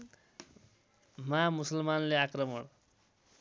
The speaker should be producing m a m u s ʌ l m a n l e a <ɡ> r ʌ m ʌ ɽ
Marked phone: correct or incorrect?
incorrect